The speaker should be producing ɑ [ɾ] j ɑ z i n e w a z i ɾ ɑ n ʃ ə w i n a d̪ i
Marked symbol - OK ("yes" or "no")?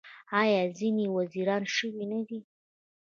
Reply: no